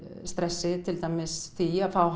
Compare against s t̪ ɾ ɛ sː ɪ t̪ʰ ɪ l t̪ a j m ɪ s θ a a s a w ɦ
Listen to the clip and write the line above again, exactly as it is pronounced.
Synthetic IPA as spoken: s t̪ ɾ ɛ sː ɪ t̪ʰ ɪ l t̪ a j m ɪ s θ i a f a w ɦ